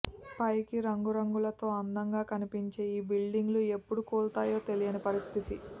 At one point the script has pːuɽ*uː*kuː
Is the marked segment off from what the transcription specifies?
yes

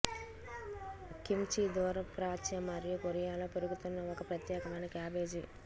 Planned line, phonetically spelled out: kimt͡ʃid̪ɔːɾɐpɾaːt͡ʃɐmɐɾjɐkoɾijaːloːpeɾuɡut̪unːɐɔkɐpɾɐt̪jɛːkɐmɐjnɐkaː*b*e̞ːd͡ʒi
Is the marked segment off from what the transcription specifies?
no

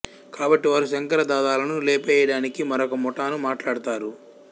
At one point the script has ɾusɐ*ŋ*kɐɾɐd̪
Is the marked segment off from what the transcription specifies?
no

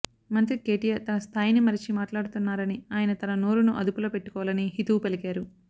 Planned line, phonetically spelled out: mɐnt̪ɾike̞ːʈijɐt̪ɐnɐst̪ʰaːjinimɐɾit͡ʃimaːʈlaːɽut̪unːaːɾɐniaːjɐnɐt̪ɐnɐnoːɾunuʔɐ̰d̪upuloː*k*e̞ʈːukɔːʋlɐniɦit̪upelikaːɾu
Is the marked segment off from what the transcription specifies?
yes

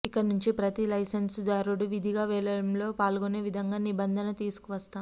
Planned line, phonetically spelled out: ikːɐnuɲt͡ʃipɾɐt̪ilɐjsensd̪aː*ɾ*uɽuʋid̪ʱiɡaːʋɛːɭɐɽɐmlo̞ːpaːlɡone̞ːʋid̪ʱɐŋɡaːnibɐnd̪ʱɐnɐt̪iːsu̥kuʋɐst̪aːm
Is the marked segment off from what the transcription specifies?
no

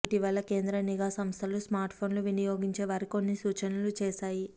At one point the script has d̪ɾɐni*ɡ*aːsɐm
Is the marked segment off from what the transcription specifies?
no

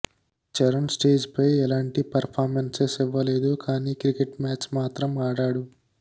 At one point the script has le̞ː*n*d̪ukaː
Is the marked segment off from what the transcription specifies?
yes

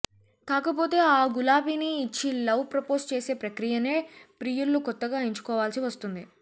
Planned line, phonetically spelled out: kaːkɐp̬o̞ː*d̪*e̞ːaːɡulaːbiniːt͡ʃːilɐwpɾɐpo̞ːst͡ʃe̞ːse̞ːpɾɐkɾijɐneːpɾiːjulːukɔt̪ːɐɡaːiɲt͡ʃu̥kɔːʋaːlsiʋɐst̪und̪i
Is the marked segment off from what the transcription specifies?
yes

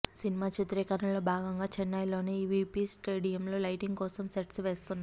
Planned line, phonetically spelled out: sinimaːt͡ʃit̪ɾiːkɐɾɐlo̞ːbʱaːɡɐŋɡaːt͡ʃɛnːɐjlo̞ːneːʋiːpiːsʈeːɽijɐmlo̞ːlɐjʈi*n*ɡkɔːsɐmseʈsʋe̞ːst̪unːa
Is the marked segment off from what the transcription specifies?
yes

